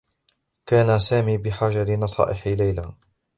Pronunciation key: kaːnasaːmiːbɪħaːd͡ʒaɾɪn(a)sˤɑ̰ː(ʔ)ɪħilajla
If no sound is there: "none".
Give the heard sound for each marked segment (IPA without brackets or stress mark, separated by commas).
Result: ɑ, ʔ